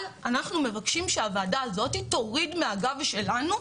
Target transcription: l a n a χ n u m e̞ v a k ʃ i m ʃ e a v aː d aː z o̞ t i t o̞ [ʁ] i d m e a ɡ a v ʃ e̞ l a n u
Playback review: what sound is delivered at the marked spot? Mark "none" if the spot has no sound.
ʁ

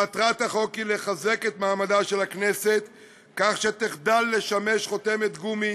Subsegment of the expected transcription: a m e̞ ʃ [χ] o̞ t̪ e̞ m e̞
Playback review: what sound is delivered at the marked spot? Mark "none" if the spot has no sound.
χ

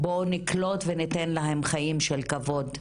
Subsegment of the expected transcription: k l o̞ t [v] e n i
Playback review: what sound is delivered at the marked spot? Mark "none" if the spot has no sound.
v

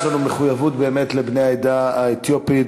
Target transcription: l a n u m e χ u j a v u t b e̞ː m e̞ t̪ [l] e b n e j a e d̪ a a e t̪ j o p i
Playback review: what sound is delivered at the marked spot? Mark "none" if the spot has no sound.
l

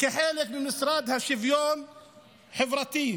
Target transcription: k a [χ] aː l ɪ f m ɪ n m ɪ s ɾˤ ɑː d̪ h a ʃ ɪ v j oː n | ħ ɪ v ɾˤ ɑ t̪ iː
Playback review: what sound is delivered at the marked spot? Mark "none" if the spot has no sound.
ħ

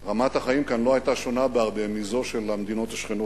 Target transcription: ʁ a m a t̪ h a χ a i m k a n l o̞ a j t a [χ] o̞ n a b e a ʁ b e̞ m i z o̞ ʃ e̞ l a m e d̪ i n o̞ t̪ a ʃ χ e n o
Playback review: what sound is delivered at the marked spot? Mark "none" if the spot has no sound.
ʃ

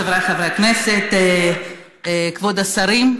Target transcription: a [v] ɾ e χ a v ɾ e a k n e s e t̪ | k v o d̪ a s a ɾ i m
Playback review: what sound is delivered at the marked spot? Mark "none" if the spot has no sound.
v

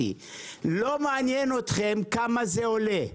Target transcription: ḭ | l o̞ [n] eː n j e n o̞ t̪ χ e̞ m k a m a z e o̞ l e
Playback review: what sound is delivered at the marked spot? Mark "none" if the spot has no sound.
m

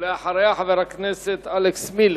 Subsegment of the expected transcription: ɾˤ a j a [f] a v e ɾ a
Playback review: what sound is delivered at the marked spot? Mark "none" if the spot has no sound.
ħ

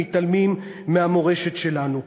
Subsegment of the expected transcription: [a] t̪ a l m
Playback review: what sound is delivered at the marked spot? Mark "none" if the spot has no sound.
i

